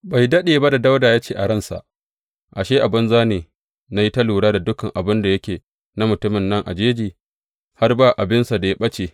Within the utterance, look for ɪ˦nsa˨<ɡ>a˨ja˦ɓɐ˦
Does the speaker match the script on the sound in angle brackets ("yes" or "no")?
no